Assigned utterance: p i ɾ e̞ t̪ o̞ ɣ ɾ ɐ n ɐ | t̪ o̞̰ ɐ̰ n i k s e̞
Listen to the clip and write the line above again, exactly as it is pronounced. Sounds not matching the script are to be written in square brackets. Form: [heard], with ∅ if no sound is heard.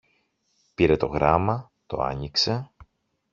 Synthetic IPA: p i ɾ e̞ t̪ o̞ ɣ ɾ ɐ [m] ɐ | t̪ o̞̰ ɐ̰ [ɲ] i k s e̞